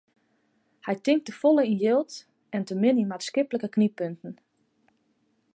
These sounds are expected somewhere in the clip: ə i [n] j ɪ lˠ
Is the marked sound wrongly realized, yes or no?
no